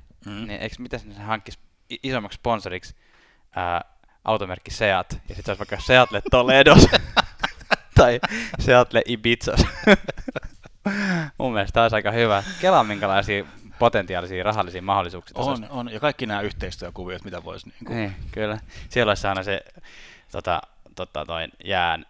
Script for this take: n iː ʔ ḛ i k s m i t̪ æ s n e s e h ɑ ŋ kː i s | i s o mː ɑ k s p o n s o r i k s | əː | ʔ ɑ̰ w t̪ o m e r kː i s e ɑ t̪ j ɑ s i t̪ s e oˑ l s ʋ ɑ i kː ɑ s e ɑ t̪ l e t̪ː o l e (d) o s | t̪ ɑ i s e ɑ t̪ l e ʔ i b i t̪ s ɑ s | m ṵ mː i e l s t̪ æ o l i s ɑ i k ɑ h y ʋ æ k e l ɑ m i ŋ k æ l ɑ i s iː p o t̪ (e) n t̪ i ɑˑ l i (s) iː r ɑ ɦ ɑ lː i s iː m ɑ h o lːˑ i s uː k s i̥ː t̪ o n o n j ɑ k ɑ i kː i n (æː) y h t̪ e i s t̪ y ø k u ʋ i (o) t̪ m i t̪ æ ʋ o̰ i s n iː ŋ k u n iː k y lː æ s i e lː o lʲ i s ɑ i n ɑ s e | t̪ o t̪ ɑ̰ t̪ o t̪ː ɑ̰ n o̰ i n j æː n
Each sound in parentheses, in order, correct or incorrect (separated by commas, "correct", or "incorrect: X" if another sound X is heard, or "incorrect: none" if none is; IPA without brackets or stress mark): correct, correct, correct, correct, correct